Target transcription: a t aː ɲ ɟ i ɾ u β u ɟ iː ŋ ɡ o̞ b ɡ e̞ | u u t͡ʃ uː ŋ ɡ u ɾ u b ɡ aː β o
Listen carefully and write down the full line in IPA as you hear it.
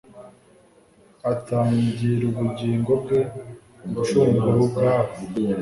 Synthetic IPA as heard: a t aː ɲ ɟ i ɾ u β u ɟ iː ŋ ɡ o̞ b ɡ e̞ | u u t͡ʃ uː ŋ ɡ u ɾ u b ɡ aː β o